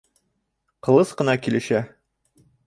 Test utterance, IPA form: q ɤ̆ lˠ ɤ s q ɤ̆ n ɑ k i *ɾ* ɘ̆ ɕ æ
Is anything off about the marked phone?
yes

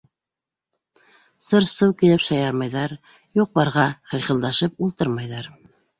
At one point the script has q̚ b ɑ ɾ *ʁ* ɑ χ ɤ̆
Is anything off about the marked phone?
no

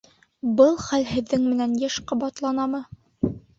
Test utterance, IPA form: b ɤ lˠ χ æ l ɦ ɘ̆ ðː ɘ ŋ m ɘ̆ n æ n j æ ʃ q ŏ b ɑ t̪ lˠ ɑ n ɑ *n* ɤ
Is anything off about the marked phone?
yes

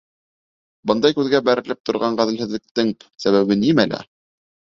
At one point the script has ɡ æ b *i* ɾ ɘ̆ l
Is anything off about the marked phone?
yes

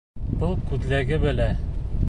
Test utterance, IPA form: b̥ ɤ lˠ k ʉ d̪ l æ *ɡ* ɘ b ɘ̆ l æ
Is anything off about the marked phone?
no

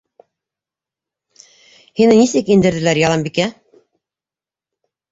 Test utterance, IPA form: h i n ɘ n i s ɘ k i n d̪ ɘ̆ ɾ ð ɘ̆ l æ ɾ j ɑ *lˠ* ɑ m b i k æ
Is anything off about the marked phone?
no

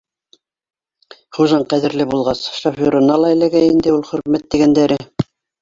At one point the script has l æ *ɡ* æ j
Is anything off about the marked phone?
no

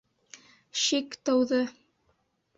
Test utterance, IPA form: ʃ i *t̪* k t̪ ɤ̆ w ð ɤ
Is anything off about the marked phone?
yes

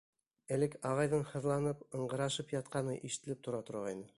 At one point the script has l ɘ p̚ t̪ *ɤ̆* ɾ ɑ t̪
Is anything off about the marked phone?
yes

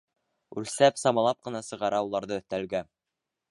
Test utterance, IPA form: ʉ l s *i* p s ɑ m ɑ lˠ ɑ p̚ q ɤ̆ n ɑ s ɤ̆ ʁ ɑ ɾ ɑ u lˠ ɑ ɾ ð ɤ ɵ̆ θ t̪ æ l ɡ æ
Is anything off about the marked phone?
yes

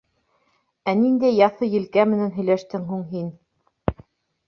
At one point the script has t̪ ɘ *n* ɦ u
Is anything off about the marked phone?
yes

